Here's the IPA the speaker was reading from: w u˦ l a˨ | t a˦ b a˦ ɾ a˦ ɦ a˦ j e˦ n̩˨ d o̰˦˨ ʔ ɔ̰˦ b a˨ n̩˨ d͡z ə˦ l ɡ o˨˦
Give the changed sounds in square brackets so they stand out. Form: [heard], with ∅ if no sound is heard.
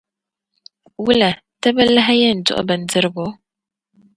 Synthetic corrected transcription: w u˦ l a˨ | t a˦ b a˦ [l] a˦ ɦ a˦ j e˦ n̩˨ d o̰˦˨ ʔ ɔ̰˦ b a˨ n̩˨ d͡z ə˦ [ɾ] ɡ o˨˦